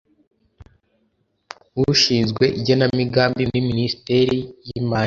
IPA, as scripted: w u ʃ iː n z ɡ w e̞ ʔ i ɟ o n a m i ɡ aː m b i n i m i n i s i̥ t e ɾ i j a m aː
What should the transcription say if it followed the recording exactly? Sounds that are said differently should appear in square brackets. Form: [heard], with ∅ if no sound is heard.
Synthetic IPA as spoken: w u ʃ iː n z ɡ w e̞ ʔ i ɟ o n a m i ɡ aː m b i n i m i n i s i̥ t e ɾ i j [i] m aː